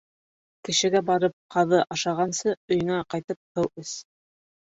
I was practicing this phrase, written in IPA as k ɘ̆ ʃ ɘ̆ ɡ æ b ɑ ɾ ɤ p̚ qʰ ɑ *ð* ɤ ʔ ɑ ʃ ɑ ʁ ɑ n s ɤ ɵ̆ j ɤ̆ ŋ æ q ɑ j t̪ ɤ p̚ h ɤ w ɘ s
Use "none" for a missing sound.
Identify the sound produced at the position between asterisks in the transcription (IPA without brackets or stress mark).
ð